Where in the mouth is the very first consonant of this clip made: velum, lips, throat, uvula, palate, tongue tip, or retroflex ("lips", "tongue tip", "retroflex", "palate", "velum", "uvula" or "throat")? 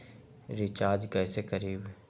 tongue tip